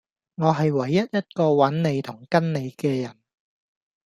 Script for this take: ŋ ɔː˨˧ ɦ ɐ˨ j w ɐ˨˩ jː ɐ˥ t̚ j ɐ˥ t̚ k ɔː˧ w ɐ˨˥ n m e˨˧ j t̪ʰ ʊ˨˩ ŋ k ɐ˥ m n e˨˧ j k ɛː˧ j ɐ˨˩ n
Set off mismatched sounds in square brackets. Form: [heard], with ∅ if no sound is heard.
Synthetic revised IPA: ŋ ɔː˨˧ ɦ ɐ˨ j w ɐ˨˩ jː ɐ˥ t̚ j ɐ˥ t̚ k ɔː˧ w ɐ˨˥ n [n] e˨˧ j t̪ʰ ʊ˨˩ ŋ k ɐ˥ [n] n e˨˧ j k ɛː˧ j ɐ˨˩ n